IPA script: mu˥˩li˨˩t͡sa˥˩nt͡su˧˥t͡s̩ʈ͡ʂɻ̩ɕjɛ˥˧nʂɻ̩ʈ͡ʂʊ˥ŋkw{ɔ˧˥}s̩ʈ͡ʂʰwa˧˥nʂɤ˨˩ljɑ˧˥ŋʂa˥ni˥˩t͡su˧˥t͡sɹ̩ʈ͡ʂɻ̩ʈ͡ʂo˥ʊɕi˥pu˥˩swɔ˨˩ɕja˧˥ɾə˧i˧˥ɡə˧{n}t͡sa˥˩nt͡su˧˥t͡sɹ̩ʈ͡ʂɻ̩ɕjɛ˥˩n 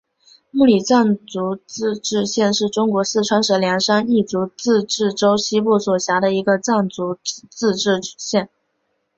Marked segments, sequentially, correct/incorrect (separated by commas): correct, incorrect